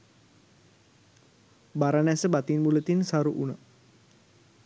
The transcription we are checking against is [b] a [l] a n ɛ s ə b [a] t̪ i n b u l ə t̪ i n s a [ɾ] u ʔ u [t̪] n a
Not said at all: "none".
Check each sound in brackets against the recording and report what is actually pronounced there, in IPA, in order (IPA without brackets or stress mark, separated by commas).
b, ɾ, a, ɾ, none